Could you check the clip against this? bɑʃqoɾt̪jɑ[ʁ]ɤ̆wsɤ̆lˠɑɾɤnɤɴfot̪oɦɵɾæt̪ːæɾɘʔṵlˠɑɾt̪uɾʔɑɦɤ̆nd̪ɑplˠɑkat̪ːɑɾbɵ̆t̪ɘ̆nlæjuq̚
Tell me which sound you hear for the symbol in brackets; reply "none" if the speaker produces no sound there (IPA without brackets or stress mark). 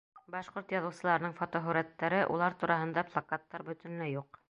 ð